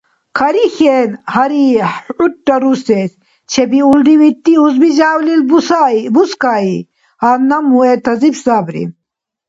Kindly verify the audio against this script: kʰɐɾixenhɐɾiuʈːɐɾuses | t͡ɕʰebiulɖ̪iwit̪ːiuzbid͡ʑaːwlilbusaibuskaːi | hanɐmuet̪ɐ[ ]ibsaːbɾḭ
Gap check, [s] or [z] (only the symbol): z